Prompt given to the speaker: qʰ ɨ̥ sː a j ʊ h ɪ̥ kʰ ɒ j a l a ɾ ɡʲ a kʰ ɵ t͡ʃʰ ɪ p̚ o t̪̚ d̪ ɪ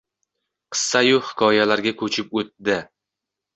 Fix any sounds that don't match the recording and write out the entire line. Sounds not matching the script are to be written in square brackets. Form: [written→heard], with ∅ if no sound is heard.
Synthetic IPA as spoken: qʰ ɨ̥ sː a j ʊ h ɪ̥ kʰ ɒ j a l a ɾ ɡʲ a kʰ ɵ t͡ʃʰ ɪ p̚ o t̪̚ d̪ ɪ